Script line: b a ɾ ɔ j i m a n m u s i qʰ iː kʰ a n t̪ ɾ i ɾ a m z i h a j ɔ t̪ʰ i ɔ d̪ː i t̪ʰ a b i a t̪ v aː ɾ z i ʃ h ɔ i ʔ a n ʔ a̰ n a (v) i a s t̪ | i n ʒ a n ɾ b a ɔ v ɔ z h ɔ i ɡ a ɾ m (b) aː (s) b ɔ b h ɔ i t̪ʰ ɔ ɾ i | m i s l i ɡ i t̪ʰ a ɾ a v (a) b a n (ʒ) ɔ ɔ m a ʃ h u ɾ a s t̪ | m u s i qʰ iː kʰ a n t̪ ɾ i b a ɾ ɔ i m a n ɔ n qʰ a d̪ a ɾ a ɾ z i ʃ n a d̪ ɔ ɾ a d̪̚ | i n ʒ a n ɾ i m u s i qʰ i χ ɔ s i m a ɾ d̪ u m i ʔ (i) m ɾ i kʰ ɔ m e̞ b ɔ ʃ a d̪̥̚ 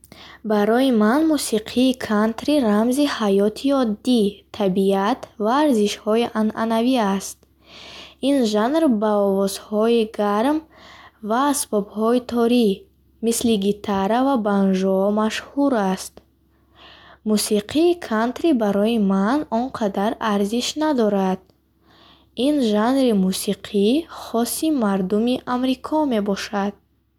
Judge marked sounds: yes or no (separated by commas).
yes, no, yes, yes, yes, no